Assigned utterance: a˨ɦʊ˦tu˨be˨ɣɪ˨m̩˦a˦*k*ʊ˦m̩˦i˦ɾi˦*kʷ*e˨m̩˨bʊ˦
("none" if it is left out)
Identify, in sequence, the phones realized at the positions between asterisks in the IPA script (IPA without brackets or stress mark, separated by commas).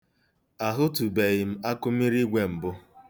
k, ɡʷ